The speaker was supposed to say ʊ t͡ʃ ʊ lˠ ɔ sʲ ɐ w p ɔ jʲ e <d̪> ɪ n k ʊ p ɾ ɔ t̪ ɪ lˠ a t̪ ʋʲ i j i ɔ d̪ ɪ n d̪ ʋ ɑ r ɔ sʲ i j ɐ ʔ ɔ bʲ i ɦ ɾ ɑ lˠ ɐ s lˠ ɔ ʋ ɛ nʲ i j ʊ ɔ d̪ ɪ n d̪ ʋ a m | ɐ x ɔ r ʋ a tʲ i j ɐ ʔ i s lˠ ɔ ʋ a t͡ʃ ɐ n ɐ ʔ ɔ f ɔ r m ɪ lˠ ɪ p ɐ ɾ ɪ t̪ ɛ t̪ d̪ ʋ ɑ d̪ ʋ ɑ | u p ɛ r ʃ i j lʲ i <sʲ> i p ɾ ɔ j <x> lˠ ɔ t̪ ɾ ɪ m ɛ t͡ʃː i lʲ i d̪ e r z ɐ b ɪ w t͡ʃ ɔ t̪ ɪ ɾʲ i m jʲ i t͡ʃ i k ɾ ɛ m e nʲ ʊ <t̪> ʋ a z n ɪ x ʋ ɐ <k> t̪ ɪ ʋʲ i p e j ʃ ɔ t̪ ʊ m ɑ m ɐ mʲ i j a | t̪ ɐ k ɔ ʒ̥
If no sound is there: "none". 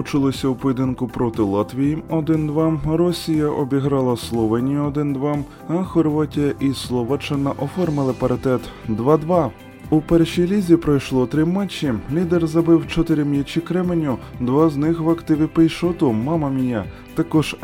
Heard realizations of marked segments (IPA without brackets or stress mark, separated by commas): d̪, zʲ, ʃ, d̪, k